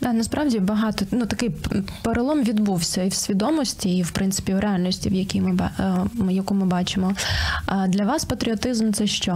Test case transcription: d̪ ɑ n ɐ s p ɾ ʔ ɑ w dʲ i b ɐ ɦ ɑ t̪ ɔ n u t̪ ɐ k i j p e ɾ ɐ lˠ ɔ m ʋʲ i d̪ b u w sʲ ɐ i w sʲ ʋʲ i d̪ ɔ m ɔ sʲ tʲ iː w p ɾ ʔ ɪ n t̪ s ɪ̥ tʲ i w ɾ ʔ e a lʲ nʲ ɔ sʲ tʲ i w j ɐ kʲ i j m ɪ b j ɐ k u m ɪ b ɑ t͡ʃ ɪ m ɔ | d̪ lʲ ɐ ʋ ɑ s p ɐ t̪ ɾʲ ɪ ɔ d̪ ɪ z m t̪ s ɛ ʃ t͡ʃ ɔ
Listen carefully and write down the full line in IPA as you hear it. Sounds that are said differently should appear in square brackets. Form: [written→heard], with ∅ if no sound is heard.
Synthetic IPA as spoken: d̪ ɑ n ɐ s p ɾ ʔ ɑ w dʲ i b ɐ ɦ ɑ t̪ ɔ n u t̪ ɐ k [i→ɪ] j p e ɾ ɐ lˠ ɔ m ʋʲ i d̪ b u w sʲ ɐ i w sʲ ʋʲ i d̪ ɔ m ɔ sʲ tʲ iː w p ɾ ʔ ɪ n t̪ s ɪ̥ [tʲ→pʲ] i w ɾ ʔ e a lʲ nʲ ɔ sʲ tʲ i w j ɐ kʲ i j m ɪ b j ɐ k u m ɪ b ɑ t͡ʃ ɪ m ɔ | d̪ lʲ ɐ ʋ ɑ s p ɐ t̪ ɾʲ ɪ ɔ [d̪→t̪] ɪ z m t̪ s ɛ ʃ t͡ʃ ɔ